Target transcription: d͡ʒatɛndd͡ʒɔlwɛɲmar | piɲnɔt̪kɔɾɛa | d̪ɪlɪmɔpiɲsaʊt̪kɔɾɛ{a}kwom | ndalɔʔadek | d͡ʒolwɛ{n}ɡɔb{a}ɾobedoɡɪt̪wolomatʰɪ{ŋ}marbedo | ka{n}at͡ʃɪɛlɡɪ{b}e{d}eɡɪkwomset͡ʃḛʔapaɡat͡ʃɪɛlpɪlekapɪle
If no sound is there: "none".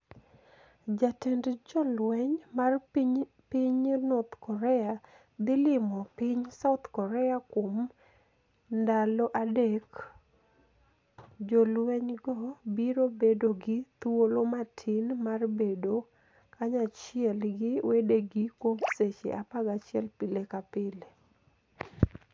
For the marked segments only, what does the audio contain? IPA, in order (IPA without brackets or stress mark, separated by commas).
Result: a, ɲ, i, n, ɲ, w, d